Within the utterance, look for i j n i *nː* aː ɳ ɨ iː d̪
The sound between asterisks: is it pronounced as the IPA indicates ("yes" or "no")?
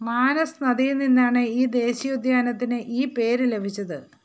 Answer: yes